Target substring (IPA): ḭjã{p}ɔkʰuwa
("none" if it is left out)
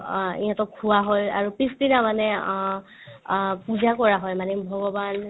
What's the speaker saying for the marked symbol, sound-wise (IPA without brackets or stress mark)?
t